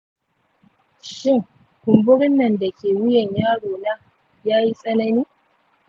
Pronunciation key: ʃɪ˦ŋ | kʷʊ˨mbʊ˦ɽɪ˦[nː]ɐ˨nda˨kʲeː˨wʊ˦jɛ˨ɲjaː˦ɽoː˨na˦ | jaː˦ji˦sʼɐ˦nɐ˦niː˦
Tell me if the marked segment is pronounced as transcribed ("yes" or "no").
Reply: yes